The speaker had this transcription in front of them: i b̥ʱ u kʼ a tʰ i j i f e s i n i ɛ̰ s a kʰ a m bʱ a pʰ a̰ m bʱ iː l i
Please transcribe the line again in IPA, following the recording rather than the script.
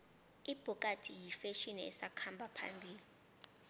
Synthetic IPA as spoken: i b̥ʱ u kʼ a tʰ i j i f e ʃ i n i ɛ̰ s a kʰ a m bʱ a pʰ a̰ m bʱ iː l i

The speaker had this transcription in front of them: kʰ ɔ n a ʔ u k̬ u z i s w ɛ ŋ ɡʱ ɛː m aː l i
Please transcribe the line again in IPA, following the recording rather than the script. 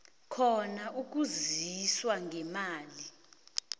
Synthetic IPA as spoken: kʰ ɔ n a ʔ u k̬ u z i s w a ŋ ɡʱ ɛ m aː l i

